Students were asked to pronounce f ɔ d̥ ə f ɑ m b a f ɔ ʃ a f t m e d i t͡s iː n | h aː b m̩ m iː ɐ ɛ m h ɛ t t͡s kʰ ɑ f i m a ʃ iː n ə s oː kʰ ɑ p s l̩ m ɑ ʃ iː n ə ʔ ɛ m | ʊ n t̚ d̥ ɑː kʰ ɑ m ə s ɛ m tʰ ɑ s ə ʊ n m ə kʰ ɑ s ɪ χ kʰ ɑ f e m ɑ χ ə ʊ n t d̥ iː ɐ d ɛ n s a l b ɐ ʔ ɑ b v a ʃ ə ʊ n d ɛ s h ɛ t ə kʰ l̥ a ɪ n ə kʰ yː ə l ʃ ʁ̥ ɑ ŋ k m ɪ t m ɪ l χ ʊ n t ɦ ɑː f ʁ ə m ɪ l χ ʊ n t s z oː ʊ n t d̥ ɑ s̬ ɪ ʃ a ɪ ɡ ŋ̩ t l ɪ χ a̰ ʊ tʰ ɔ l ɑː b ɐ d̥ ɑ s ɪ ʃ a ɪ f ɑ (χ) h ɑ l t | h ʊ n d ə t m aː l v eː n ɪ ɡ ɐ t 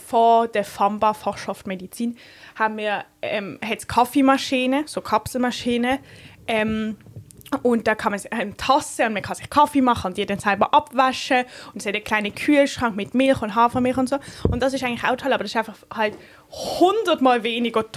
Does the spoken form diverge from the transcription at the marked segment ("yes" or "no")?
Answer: no